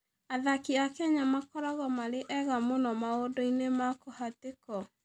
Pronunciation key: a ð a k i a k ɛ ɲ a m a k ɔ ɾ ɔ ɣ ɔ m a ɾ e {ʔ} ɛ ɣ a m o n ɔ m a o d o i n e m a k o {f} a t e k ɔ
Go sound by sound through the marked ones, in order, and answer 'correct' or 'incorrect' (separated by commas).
correct, incorrect